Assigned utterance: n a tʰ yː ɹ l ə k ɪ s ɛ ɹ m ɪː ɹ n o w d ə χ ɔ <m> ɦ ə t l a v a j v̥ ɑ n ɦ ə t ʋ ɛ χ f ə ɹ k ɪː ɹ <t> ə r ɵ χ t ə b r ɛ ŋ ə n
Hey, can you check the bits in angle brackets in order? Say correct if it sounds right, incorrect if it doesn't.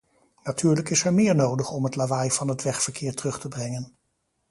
correct, correct

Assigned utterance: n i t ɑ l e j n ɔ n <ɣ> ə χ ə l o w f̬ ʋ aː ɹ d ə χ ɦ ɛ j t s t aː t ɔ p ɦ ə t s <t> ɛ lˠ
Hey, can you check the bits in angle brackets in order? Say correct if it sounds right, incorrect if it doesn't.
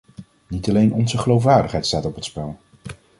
incorrect: z, incorrect: p

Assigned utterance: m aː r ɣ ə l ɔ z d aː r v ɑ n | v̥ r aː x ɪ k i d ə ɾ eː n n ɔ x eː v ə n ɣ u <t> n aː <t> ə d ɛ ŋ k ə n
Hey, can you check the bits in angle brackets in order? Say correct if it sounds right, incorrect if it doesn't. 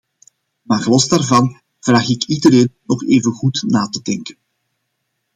correct, correct

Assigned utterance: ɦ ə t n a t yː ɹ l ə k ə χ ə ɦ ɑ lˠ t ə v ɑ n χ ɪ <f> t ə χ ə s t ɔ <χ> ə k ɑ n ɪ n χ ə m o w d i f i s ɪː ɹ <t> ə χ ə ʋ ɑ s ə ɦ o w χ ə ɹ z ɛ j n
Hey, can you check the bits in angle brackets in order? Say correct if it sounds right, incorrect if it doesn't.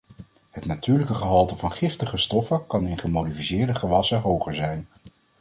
correct, incorrect: f, incorrect: d

